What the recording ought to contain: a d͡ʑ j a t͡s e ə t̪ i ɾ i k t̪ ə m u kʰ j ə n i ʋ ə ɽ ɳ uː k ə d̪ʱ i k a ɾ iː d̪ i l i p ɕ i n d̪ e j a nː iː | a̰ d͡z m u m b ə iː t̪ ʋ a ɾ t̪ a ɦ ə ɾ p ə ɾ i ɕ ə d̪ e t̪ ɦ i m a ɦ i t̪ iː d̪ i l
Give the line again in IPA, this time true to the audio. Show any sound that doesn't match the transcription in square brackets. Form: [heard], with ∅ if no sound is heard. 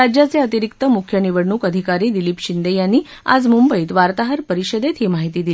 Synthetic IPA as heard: a d͡ʑ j a t͡s e ə t̪ i ɾ i k t̪ ə m u kʰ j ə n i ʋ ə ɽ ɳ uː k ə d̪ʱ i k a ɾ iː d̪ i l i p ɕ i n d̪ e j a nː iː | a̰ d͡z m u m b ə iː t̪ ʋ a ɾ t̪ a ɦ ə ɾ p ə ɾ i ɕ ə d̪ e t̪ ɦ i m a ɦ i t̪ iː d̪ i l